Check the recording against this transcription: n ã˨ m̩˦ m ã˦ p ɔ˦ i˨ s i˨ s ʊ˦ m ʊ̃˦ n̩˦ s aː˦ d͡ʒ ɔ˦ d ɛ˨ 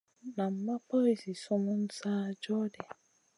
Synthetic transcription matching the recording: n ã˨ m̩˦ m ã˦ p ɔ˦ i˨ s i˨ s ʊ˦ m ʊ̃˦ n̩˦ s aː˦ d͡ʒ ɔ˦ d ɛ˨